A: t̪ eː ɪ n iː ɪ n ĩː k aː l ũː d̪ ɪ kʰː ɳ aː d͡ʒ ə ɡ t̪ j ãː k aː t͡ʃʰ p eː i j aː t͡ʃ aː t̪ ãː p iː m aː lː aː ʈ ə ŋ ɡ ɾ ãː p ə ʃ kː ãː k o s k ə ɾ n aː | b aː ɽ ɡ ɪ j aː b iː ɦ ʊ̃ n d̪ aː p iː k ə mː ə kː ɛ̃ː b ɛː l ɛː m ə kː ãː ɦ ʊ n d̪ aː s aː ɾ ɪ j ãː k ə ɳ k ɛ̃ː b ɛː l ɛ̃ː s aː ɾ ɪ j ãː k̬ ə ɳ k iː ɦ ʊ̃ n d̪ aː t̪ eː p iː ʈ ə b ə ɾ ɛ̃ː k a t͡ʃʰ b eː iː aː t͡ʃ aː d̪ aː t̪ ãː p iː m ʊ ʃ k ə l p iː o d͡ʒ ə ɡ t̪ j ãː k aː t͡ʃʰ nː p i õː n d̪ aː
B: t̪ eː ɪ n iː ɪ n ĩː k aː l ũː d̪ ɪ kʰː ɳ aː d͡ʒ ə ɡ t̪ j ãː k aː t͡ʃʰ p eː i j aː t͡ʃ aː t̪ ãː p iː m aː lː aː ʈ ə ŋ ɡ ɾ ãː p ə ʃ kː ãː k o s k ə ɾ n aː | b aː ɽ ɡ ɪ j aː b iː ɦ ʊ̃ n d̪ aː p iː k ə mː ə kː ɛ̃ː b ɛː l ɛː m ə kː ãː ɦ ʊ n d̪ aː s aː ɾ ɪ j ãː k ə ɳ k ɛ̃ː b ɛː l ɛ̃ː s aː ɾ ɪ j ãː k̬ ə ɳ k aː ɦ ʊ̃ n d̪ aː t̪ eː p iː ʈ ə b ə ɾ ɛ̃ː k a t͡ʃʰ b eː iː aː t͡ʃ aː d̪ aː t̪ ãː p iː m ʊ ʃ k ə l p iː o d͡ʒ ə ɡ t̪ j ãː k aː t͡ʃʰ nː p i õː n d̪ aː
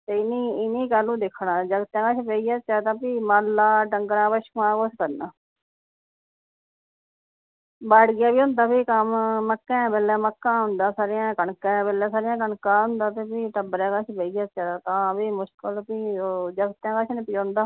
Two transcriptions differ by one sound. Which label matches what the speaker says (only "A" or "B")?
B